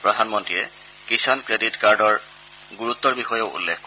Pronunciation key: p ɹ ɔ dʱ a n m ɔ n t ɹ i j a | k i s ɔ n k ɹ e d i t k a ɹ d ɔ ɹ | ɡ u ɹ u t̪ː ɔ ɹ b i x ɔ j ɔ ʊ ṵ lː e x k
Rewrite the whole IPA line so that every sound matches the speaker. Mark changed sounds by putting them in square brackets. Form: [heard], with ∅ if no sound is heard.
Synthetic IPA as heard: p ɹ ɔ dʱ a n m ɔ n t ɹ i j [ɛ] | k i s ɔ n k ɹ e d i t k a ɹ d ɔ ɹ | ɡ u ɹ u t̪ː ɔ ɹ b i x ɔ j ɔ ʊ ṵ lː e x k